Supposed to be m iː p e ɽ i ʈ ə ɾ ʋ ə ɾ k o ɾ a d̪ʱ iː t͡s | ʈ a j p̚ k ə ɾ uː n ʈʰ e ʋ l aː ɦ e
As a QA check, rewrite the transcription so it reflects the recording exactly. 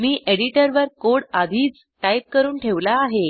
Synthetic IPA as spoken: m iː ʔ e ɽ i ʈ ə ɾ ʋ ə ɾ k o ɽ a d̪ʱ iː t͡s | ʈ a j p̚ k ə ɾ uː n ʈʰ e ʋ l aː ɦ e